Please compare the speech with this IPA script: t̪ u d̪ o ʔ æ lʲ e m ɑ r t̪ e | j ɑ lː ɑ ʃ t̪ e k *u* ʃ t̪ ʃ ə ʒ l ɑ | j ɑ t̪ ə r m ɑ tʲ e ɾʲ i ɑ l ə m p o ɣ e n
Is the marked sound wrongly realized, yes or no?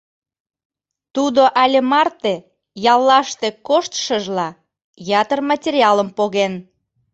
yes